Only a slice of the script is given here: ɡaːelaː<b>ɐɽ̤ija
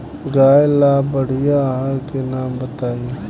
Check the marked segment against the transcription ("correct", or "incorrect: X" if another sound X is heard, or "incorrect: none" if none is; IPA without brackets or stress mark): correct